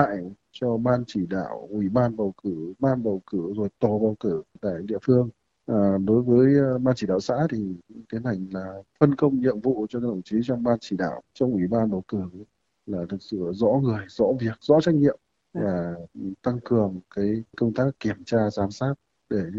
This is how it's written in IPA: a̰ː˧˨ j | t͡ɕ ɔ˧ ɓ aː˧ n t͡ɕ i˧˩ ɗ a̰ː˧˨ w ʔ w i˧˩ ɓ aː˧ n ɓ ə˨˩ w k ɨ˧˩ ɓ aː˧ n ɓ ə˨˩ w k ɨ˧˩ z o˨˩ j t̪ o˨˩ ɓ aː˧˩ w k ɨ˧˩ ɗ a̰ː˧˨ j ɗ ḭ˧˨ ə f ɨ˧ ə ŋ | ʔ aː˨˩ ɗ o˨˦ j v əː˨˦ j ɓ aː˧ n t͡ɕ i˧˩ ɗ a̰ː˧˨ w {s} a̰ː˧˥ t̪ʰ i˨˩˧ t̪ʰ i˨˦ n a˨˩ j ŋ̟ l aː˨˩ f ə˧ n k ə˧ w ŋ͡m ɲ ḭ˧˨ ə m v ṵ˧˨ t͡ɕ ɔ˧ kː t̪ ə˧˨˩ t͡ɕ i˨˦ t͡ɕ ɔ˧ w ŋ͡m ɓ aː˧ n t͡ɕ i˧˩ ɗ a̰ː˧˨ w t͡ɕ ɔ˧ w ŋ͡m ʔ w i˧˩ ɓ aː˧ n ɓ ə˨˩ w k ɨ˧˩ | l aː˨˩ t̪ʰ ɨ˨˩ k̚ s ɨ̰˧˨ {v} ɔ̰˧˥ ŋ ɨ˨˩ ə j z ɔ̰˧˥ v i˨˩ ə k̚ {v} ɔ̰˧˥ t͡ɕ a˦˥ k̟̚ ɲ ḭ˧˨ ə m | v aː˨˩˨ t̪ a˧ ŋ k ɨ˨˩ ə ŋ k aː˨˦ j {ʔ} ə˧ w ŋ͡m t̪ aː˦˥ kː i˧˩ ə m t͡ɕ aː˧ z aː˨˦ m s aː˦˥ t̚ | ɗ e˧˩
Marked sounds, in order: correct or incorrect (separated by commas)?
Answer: correct, incorrect, incorrect, incorrect